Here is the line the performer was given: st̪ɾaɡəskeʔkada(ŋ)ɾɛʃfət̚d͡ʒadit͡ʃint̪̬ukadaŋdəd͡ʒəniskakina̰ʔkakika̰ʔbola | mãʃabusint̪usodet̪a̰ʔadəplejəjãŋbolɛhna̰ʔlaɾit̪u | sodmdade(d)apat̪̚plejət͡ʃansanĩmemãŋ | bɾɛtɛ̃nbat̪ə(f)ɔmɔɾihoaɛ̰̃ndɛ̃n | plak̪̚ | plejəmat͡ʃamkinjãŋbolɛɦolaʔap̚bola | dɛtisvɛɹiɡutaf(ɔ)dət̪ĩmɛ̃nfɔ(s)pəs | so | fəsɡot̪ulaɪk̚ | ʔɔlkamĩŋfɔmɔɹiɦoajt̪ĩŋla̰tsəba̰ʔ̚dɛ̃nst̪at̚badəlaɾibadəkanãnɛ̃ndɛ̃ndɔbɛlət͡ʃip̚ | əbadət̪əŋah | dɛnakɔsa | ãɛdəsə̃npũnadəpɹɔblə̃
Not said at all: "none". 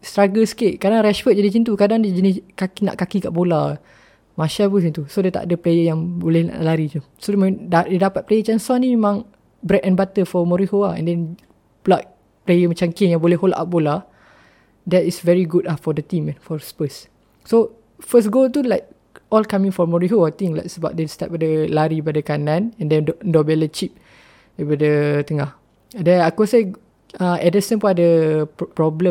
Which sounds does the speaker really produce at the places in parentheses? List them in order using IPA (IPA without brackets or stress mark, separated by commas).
ŋ, d, f, ɔ, s